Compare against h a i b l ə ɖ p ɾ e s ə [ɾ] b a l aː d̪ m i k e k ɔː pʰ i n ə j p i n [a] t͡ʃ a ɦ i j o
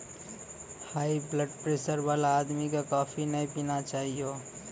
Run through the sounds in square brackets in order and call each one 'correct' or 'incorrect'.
correct, correct

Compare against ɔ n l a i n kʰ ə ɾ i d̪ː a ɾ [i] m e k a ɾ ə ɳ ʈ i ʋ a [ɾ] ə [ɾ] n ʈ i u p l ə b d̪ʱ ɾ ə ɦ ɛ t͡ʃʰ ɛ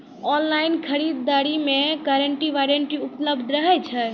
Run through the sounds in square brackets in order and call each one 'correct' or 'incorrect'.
correct, correct, incorrect: none

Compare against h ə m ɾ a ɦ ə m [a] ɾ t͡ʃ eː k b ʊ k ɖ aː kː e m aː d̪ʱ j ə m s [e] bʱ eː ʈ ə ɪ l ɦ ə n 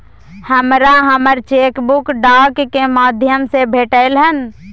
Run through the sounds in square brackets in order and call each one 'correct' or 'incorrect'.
incorrect: ə, correct

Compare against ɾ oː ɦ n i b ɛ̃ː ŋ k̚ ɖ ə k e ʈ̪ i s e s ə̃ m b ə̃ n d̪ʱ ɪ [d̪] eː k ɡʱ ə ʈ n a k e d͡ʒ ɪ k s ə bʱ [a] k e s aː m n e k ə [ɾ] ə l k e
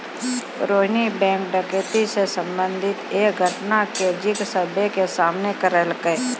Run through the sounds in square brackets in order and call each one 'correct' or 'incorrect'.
incorrect: t̪, incorrect: e, correct

